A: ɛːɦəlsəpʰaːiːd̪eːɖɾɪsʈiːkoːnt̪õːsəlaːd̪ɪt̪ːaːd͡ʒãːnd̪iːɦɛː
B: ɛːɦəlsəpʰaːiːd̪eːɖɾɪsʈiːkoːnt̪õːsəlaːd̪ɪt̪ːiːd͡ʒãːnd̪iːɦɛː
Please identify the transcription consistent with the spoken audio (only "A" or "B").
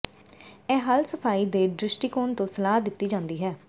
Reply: B